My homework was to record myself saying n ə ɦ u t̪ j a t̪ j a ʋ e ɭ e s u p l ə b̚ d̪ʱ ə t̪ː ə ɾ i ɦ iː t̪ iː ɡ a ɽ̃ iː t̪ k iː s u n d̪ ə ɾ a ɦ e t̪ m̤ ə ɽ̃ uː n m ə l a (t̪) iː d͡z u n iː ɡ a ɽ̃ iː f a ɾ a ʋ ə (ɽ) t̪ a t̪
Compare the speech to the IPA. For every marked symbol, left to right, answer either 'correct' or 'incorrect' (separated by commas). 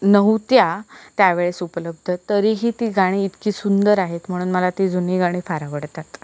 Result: correct, correct